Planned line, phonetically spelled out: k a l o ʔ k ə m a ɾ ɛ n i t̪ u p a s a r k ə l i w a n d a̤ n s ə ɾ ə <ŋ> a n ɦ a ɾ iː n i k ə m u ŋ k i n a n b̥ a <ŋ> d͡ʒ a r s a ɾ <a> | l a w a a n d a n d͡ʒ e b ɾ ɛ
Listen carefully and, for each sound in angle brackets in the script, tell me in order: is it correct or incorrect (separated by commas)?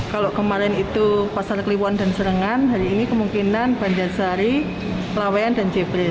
correct, incorrect, incorrect